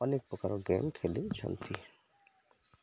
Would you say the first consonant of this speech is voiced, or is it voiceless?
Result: voiced